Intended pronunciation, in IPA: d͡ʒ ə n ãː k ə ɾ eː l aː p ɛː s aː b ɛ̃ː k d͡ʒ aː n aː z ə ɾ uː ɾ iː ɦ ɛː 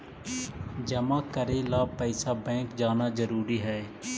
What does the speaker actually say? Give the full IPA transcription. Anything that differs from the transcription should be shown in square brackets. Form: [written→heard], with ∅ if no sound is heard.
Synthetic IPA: d͡ʒ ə [n→m] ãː k ə ɾ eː l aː p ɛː s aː b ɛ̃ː k d͡ʒ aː n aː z ə ɾ uː ɾ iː ɦ ɛː